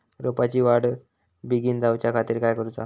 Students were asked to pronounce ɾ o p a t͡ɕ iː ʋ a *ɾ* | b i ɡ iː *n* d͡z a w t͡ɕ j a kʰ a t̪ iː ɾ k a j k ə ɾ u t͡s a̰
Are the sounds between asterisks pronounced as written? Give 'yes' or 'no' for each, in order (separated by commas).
no, yes